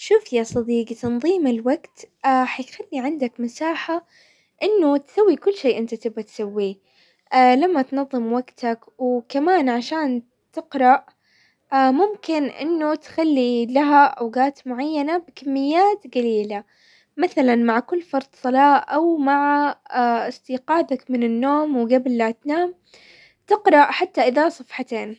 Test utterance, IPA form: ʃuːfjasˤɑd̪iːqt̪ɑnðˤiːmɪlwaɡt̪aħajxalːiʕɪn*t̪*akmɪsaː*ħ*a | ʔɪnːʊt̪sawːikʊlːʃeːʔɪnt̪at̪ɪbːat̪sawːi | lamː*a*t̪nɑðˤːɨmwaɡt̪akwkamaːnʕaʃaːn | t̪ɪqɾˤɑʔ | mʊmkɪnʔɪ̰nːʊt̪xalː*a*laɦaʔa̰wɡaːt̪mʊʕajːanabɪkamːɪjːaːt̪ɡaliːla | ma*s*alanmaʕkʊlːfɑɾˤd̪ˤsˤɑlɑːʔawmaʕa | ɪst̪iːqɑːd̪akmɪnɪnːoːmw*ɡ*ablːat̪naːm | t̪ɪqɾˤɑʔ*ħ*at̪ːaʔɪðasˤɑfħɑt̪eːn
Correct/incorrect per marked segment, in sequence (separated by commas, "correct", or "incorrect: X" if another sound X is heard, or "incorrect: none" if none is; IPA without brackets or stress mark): incorrect: d̪, correct, correct, incorrect: i, incorrect: θ, correct, correct